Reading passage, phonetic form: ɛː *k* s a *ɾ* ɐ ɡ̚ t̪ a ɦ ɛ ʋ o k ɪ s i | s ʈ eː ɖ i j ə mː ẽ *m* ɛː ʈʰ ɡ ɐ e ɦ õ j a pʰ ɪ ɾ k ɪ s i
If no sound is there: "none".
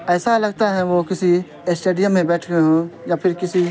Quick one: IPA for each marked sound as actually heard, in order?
none, l, b

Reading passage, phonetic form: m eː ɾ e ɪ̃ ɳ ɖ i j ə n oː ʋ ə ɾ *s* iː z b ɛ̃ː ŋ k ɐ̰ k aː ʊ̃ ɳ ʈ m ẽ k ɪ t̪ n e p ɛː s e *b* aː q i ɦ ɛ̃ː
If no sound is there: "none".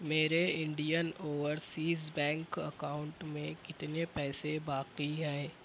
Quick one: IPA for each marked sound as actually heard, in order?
s, b

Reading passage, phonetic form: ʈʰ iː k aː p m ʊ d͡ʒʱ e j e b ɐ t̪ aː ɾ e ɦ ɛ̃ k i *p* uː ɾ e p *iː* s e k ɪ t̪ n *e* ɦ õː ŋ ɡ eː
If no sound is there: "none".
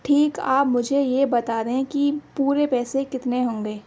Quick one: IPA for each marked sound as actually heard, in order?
p, ɛː, e

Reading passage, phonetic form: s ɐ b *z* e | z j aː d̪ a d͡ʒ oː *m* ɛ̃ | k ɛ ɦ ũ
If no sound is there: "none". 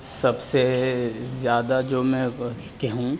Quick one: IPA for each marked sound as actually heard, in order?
s, m

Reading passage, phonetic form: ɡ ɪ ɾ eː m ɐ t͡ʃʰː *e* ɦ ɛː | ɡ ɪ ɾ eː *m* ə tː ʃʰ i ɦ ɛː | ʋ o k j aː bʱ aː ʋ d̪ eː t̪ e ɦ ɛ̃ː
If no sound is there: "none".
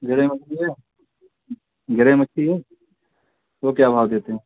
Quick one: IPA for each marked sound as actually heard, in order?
i, m

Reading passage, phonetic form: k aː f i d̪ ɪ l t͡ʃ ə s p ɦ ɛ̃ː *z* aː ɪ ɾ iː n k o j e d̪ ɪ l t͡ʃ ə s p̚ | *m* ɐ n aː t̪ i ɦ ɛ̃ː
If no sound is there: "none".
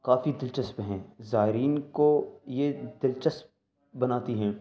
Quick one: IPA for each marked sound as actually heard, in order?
z, b

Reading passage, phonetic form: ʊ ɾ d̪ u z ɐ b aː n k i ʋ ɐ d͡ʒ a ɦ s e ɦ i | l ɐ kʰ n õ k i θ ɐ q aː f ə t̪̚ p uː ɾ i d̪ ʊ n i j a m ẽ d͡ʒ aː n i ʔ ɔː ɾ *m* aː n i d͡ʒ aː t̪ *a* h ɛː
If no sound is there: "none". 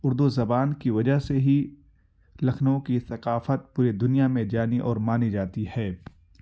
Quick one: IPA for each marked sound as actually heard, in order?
m, i

